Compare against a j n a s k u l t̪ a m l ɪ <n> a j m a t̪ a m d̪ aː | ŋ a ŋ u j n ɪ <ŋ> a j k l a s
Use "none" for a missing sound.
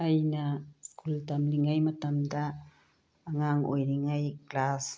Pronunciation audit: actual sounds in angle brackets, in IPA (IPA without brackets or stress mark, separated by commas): ŋ, ŋ